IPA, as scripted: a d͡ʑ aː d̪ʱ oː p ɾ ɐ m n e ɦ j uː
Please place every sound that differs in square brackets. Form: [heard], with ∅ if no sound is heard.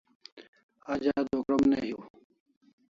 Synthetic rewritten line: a d͡ʑ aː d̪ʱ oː [k] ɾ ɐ m n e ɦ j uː